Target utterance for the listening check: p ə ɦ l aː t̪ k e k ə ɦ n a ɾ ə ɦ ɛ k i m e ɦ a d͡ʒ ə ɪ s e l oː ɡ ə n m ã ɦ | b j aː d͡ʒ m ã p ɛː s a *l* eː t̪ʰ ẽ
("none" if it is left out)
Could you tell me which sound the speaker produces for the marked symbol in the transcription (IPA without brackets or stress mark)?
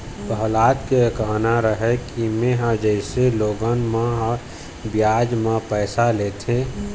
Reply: l